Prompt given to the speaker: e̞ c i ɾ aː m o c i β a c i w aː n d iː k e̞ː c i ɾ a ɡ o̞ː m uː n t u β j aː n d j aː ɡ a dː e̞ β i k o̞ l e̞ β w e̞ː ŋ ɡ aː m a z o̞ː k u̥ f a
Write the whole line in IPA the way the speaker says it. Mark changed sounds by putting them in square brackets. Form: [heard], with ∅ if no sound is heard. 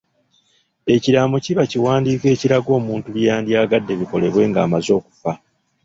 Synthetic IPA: e̞ c i ɾ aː m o c i β a c i w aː n d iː k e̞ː c i ɾ a ɡ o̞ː m uː n t u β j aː n d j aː ɡ a dː e̞ β i k o̞ l e̞ β w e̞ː ŋ ɡ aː m a z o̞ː k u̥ f a